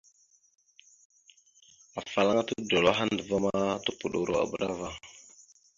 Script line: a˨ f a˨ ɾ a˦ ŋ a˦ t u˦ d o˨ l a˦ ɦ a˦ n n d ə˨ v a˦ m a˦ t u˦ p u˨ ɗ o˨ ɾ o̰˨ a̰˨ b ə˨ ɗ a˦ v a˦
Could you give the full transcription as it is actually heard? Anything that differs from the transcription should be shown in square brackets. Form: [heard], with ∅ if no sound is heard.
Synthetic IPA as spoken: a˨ f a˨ [l] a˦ ŋ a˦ t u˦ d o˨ l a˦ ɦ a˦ n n d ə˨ v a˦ m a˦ t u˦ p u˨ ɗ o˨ ɾ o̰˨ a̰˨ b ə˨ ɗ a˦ v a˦